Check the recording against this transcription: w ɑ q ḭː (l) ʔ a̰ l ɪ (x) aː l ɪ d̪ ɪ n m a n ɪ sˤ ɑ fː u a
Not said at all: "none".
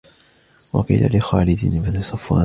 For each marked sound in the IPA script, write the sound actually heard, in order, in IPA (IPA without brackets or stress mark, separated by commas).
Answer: l, x